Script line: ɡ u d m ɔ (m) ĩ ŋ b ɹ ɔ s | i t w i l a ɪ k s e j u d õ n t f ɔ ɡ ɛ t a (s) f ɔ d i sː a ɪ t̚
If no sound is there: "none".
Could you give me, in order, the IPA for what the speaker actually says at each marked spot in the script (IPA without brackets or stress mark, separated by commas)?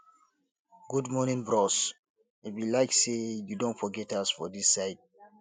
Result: n, s